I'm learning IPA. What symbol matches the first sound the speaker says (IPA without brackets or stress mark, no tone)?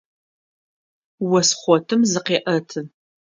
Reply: w